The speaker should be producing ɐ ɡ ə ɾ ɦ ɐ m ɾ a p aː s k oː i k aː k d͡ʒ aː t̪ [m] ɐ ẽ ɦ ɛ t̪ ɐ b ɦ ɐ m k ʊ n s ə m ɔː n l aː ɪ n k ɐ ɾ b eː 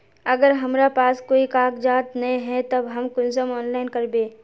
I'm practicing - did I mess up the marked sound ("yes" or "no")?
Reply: yes